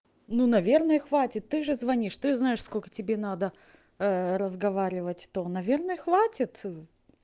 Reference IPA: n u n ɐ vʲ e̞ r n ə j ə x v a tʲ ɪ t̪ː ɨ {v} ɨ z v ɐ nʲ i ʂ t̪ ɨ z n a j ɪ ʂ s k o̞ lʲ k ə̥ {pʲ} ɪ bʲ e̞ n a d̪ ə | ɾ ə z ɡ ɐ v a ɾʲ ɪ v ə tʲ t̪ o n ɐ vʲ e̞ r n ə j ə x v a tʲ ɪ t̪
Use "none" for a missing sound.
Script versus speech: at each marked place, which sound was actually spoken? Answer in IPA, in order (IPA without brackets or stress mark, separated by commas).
ʐ, tʲ